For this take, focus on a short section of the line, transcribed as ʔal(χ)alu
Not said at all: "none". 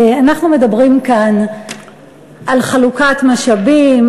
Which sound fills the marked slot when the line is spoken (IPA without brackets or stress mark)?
χ